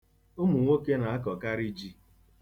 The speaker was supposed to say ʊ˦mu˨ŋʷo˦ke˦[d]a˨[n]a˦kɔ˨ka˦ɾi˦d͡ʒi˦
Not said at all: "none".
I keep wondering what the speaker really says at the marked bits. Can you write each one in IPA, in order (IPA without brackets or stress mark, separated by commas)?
n, none